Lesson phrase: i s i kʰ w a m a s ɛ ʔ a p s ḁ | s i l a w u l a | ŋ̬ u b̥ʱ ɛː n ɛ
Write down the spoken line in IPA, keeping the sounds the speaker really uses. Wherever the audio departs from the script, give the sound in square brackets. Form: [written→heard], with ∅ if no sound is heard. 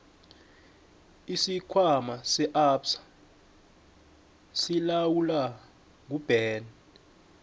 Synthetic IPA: i s i kʰ w a m a s ɛ ʔ a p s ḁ | s i l a w u l a | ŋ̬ u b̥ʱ ɛː n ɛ